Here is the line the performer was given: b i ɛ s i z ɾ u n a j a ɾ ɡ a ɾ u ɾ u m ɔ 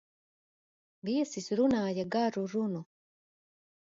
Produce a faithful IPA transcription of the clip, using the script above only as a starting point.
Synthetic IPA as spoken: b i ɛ s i s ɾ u n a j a ɡ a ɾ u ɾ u n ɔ